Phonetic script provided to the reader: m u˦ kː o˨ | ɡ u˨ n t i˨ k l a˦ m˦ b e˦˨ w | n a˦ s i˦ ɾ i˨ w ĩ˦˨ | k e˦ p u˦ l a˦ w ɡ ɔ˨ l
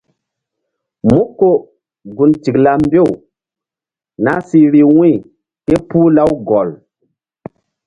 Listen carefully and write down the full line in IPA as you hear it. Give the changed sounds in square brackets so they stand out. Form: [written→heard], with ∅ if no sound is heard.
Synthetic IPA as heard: m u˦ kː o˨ | ɡ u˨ n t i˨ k l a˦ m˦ b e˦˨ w | n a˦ s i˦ ɾ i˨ w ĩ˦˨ | k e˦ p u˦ l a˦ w ɡ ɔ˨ l

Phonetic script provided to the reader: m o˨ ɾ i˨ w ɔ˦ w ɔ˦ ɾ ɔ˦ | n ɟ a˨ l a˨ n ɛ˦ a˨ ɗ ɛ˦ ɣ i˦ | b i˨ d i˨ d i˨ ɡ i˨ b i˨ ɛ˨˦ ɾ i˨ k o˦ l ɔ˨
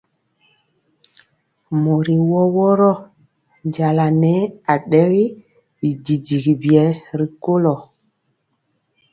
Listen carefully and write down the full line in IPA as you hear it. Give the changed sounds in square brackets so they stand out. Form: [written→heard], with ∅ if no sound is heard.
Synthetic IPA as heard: m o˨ ɾ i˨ w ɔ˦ w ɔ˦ ɾ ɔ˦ | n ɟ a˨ l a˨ n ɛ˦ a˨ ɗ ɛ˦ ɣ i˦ | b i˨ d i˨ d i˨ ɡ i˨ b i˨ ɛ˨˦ ɾ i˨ k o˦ l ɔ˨

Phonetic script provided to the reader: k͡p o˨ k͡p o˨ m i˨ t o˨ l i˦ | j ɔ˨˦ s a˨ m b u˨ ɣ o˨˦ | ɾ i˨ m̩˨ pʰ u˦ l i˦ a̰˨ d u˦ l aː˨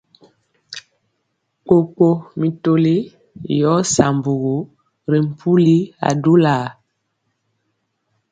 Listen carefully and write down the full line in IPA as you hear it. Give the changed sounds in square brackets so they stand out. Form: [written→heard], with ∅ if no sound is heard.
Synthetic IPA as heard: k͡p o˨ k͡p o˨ m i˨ t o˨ l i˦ | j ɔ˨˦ s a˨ m b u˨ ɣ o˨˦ | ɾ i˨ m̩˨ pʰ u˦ l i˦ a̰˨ d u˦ l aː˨

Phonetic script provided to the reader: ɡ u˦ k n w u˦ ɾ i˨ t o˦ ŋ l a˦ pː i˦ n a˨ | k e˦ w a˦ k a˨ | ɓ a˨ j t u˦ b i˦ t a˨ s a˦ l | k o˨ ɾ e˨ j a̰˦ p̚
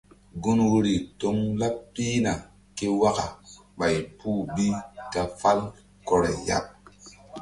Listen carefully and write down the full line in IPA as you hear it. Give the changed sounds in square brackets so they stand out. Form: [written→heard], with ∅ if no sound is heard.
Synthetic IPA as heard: ɡ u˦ [k→∅] n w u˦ ɾ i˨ t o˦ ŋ l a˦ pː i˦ n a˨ | k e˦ w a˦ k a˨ | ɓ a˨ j [t→p] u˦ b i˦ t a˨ [s→f] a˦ l | k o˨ ɾ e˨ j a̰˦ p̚

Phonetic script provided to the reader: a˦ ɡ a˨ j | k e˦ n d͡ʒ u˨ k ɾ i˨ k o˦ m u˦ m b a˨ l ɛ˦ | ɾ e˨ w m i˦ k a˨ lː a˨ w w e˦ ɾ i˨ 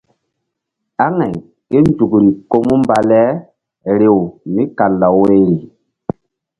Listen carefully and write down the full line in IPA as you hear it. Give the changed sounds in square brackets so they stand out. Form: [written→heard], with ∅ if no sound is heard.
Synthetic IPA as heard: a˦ [ɡ→ŋ] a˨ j | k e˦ n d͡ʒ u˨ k ɾ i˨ k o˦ m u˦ m b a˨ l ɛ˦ | ɾ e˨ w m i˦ k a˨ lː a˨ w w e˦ ɾ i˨

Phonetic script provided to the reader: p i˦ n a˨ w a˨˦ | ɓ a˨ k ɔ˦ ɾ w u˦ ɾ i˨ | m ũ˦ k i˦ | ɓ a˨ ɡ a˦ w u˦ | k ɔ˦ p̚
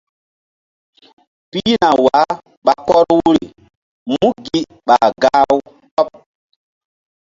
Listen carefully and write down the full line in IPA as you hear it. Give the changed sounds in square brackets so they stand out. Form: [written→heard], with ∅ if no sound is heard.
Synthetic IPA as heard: p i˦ n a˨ w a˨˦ | ɓ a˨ k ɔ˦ ɾ w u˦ ɾ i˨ | m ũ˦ [k→ɡ] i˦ | ɓ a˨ ɡ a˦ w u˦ | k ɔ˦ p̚

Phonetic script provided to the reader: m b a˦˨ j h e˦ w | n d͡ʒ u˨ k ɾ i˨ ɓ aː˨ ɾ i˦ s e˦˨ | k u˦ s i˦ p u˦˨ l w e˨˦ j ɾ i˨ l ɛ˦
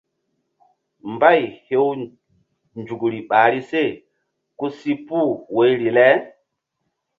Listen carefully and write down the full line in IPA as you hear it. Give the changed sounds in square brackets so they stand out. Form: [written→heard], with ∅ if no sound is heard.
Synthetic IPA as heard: m b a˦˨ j h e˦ w | n d͡ʒ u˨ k ɾ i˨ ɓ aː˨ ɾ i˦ s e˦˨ | k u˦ s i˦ p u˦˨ [l→∅] w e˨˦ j ɾ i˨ l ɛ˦

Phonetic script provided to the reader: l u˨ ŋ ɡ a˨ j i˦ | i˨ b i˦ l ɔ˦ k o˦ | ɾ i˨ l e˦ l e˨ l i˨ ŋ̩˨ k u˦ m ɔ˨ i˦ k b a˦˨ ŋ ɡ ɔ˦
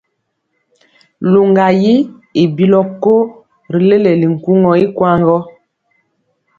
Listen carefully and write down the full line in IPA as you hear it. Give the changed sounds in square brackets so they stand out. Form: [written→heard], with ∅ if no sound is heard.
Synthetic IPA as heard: l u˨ ŋ ɡ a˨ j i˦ | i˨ b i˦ l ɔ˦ k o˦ | ɾ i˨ l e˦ l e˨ l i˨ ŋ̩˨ k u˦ [m→ŋ] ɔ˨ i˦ k [b→w] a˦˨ ŋ ɡ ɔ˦

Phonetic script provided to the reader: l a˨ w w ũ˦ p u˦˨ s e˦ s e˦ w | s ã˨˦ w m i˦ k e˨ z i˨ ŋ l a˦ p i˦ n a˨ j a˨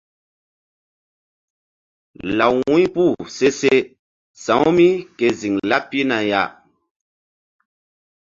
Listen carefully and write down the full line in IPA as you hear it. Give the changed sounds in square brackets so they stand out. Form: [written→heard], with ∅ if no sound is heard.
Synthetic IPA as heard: l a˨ w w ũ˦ p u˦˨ s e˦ s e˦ [w→∅] | s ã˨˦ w m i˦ k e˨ z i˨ ŋ l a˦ p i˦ n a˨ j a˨

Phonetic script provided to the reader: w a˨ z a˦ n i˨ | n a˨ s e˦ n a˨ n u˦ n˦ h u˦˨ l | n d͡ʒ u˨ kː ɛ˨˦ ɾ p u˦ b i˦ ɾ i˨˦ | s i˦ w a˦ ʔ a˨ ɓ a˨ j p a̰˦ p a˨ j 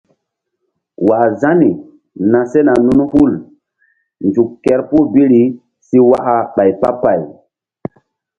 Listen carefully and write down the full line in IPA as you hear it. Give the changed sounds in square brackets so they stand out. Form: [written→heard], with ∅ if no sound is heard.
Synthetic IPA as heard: w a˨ z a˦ n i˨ | n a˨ s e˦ n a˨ n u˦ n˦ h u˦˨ l | n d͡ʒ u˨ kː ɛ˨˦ ɾ p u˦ b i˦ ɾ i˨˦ | s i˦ w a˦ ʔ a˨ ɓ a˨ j p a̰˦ p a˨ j

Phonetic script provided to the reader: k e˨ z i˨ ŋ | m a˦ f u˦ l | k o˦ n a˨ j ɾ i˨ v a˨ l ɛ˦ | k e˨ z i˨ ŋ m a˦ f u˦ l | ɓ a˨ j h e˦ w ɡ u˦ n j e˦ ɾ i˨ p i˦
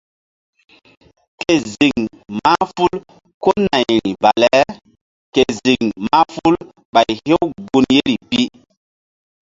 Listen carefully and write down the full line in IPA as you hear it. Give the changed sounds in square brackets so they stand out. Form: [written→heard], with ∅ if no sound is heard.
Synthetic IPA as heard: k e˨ z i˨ ŋ | m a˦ f u˦ l | k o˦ n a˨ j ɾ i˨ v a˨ l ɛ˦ | k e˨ z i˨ ŋ m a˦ f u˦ l | ɓ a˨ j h e˦ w ɡ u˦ n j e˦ ɾ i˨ p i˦

